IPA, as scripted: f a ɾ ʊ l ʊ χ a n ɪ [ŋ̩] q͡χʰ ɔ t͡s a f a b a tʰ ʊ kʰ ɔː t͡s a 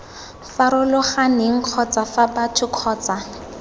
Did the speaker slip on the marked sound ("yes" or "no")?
no